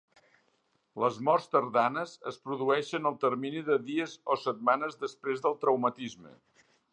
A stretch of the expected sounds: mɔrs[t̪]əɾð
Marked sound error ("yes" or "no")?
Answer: no